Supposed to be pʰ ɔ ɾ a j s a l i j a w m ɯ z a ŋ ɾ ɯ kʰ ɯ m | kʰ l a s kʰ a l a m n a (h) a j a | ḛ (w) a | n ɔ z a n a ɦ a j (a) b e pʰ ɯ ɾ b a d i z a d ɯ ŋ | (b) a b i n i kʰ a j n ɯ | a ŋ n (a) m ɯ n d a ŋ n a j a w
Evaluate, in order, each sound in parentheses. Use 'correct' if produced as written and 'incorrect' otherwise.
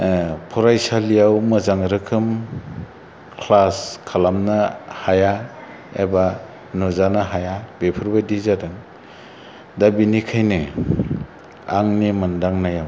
correct, incorrect: b, correct, incorrect: d, incorrect: i

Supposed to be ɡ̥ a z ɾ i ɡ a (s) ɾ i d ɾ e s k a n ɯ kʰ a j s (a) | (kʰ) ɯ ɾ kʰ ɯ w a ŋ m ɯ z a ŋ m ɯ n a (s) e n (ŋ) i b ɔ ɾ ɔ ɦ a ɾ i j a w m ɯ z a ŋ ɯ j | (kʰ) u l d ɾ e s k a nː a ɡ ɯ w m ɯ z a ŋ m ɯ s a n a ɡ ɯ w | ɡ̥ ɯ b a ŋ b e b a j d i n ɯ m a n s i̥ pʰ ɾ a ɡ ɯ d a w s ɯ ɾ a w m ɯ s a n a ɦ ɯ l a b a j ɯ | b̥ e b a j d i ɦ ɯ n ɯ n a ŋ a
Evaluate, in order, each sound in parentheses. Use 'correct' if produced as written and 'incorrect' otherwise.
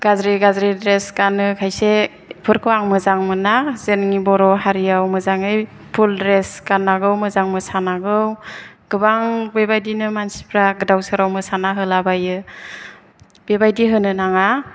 incorrect: z, incorrect: e, incorrect: pʰ, incorrect: z, correct, incorrect: pʰ

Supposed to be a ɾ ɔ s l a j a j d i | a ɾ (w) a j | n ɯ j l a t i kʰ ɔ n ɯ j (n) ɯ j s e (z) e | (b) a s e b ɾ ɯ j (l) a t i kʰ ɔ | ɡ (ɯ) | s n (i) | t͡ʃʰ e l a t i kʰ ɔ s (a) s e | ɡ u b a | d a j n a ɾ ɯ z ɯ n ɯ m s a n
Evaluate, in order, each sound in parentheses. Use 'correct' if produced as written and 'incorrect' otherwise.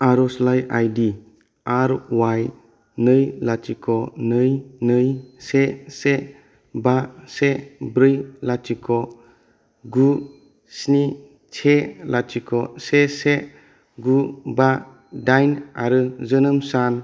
correct, correct, incorrect: s, correct, correct, incorrect: u, correct, incorrect: e

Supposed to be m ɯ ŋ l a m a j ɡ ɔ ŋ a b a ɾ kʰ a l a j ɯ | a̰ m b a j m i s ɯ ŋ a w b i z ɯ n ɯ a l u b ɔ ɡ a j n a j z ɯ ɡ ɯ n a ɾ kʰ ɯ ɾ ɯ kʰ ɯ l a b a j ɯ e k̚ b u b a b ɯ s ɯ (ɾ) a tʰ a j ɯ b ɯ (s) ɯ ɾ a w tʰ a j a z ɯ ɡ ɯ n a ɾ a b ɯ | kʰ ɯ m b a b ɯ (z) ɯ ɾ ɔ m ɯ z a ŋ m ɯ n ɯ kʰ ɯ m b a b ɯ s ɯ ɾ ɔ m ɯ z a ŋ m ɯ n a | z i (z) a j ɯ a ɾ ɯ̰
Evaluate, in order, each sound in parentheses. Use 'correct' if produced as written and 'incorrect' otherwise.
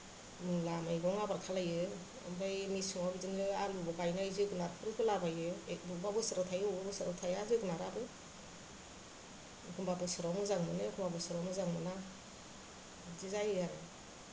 correct, correct, incorrect: s, correct

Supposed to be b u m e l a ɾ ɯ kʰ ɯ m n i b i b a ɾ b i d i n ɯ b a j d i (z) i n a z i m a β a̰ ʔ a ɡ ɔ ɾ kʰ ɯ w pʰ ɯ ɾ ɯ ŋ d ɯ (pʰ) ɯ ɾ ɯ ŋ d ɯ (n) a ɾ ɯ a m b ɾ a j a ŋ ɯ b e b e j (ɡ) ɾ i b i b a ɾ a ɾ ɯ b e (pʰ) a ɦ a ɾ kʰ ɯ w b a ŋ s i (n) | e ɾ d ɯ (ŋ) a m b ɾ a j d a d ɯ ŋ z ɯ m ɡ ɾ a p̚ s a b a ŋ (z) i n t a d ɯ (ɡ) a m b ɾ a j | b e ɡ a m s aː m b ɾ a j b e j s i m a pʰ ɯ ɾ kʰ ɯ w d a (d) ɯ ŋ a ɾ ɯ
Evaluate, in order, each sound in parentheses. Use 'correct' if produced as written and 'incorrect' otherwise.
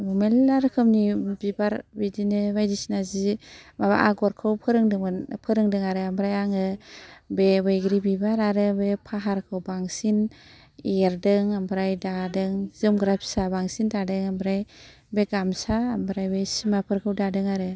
incorrect: s, correct, incorrect: ŋ, correct, correct, correct, correct, incorrect: s, incorrect: ŋ, correct

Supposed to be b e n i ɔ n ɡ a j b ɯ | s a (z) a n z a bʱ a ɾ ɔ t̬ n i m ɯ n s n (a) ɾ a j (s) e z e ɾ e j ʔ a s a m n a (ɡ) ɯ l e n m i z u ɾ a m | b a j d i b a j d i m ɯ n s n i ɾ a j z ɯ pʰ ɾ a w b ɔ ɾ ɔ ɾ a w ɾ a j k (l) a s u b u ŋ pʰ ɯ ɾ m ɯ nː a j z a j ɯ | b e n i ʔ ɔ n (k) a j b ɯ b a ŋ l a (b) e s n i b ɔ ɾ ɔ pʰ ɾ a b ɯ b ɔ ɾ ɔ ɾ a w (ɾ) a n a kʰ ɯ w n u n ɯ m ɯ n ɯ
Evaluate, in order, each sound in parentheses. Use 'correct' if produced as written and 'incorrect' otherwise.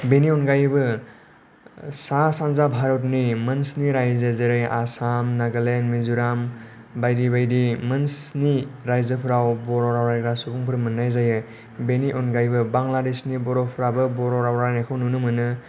incorrect: s, incorrect: i, incorrect: z, correct, incorrect: ɾ, incorrect: ɡ, incorrect: d, correct

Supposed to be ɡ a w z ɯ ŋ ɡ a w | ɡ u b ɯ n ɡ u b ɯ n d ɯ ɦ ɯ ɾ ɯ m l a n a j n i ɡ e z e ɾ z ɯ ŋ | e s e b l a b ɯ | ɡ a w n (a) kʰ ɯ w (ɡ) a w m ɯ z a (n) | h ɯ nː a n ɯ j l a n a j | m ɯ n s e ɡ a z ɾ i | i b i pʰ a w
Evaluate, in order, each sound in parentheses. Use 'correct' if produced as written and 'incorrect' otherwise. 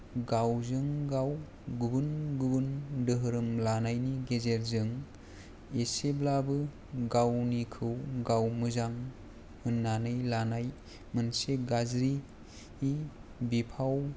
incorrect: i, correct, incorrect: ŋ

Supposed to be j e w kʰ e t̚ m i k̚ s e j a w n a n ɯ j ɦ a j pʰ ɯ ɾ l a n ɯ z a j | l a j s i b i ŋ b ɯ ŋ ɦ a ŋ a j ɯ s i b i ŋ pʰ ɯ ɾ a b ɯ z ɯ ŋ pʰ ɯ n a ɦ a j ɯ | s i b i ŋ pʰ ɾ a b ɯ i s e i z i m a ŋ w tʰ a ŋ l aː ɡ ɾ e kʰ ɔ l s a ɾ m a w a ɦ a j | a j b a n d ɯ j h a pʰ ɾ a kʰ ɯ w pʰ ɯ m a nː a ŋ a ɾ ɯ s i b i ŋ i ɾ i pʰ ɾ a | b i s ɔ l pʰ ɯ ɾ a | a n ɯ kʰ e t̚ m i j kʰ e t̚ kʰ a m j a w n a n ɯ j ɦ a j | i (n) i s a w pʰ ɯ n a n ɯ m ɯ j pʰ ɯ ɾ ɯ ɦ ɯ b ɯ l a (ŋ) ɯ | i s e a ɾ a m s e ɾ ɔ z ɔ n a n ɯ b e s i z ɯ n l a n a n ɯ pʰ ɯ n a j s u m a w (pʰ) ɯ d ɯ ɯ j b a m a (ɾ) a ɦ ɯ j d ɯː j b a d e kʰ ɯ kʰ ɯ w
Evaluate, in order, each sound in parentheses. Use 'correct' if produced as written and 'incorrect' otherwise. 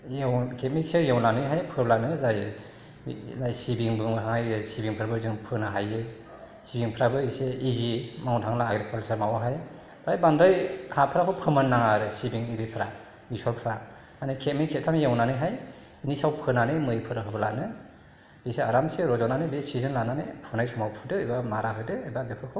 correct, incorrect: n, correct, correct

